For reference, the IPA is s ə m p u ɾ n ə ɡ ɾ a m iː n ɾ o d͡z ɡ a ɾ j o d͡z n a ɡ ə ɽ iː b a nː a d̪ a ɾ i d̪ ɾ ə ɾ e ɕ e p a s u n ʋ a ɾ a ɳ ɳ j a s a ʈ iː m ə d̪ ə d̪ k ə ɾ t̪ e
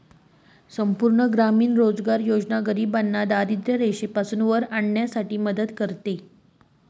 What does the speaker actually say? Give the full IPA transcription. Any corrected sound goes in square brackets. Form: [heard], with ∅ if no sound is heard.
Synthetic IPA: s ə m p u ɾ [ɳ] ə ɡ ɾ a m iː n ɾ o d͡z ɡ a ɾ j o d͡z n a ɡ ə [ɾ] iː b a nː a d̪ a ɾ i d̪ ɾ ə ɾ e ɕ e p a s u n ʋ [ə] ɾ a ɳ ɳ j a s a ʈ iː m ə d̪ ə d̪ k ə ɾ t̪ e